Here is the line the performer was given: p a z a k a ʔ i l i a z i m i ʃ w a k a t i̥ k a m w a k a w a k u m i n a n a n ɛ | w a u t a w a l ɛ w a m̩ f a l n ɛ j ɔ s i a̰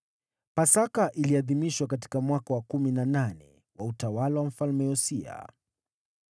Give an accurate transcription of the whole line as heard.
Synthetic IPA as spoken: p a s a k a ʔ i l i a ð i m i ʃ w a k a t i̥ k a m w a k a w a k u m i n a n a n ɛ | w a u t a w a l a w a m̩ f a l m ɛ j ɔ s i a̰